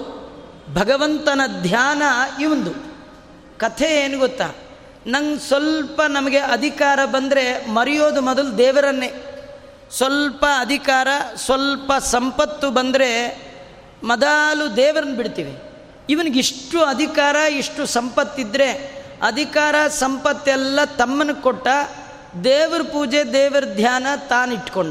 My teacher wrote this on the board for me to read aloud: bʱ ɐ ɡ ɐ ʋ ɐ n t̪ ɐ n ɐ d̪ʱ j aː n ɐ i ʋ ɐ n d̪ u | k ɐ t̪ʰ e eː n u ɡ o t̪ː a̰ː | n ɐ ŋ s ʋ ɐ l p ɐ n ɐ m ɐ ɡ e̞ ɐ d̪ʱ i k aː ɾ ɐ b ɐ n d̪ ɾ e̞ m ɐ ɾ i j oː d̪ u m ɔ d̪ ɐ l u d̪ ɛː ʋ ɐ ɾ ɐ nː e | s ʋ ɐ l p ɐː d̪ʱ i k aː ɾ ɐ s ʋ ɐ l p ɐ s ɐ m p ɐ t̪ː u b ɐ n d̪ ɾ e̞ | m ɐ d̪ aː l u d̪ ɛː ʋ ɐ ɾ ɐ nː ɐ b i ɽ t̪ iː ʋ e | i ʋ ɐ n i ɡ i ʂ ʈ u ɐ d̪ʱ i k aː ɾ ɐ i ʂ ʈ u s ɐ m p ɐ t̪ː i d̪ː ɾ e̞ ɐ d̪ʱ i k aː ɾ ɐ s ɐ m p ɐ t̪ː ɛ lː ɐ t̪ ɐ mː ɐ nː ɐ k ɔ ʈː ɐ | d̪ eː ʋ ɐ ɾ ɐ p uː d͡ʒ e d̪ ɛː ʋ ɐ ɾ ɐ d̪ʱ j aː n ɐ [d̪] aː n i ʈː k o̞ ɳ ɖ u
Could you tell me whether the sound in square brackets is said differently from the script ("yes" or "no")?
yes